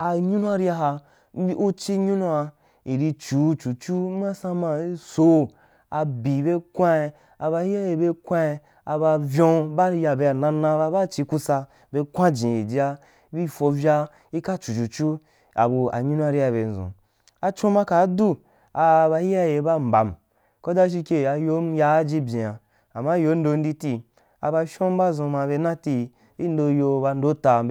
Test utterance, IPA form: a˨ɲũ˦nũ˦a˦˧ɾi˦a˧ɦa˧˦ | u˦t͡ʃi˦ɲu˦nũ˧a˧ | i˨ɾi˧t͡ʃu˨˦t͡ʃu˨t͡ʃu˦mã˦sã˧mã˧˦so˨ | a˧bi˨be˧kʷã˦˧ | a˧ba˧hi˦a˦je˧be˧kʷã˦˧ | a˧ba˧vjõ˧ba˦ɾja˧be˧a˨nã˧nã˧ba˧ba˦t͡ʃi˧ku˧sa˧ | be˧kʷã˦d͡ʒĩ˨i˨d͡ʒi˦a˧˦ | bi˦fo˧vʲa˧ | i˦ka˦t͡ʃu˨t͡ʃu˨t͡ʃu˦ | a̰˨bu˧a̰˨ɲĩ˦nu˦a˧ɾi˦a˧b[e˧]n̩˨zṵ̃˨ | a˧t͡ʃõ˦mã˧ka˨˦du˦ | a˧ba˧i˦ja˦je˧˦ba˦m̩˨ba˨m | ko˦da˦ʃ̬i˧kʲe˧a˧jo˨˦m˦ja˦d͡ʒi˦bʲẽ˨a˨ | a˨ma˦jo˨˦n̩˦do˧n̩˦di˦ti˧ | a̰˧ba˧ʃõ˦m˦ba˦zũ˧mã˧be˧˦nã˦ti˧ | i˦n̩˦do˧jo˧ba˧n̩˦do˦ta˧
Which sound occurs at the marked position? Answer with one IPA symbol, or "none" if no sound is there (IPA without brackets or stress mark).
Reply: e˧